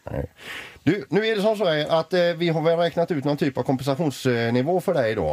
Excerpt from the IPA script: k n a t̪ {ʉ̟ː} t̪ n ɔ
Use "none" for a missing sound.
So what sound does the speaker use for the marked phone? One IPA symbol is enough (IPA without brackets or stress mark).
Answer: ʉ̟